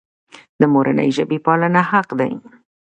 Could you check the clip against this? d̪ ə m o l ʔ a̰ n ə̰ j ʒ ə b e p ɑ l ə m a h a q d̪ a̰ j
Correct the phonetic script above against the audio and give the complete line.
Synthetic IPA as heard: d̪ ə m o ɾ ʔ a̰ n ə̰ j ʒ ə b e p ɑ l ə n a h a q d̪ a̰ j

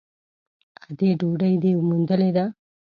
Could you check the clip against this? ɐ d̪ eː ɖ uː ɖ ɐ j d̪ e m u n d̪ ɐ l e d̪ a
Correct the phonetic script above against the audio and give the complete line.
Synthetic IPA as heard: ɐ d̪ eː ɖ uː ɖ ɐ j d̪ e m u n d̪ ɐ l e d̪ a

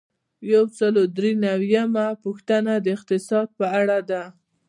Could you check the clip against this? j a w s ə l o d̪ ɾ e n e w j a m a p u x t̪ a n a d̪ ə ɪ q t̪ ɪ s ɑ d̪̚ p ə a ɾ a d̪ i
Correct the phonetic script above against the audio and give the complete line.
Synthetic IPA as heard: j a w s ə l o d̪ ɾ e n a w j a m a p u x t̪ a n a d̪ ə ɪ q t̪ ɪ s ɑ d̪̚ p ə a ɽ a d̪ a

